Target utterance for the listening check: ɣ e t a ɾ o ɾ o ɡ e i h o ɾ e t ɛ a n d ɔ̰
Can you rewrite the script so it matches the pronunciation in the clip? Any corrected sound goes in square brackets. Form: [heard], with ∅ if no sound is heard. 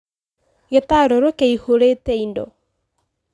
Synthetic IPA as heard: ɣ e t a ɾ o ɾ o [k] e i h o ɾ e t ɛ [i] n d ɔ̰

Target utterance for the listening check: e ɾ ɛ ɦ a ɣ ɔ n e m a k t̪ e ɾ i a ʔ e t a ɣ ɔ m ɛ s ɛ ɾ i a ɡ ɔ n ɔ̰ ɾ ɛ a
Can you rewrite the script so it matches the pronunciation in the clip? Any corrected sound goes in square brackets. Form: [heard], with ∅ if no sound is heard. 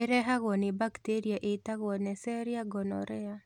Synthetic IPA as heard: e ɾ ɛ ɦ a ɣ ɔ n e [b] a k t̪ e ɾ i a ʔ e t a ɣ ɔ [n] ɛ s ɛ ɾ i a ɡ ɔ n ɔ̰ ɾ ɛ a

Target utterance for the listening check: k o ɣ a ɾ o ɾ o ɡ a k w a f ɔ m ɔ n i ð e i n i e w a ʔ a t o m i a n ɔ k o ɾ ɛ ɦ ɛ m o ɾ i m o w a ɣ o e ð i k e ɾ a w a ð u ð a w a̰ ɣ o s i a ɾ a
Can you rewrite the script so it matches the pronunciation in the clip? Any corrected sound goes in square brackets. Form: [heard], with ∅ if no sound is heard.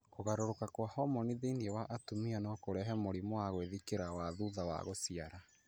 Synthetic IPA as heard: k o ɣ a ɾ o ɾ o [k] a k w a [h] ɔ m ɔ n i ð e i n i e w a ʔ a t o m i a n ɔ k o ɾ ɛ ɦ ɛ m o ɾ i m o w a ɣ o e ð i k e ɾ a w a ð u ð a w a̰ ɣ o s i a ɾ a

